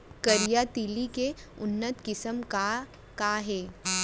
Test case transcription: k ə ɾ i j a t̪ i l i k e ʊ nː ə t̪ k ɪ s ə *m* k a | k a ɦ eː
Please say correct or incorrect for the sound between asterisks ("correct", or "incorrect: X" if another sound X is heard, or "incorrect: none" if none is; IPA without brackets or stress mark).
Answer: correct